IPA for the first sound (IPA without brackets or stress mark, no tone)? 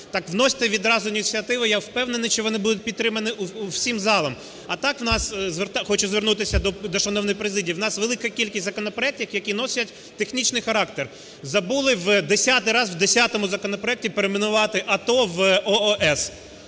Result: t̪